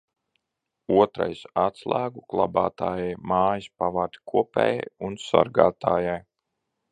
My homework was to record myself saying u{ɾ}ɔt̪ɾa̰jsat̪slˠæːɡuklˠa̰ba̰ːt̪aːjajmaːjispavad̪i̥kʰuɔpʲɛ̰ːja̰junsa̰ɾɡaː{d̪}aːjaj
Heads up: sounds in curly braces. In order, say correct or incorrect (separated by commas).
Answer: incorrect, incorrect